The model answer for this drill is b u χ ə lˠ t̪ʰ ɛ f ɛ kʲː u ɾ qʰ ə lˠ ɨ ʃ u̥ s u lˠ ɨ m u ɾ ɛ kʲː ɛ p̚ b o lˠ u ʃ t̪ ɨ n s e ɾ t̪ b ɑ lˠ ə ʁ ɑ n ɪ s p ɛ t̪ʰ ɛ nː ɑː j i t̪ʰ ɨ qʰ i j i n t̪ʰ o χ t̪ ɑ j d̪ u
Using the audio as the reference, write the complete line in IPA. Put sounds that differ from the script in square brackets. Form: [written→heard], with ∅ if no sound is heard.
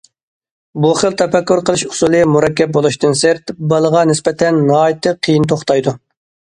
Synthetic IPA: b u χ ə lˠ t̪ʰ ɛ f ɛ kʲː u ɾ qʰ ə lˠ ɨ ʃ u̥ s u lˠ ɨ m u ɾ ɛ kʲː ɛ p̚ b o lˠ u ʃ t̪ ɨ n s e ɾ t̪ b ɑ lˠ ə ʁ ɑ n ɪ s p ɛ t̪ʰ ɛ nː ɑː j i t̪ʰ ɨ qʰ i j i n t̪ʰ o χ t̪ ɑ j d̪ u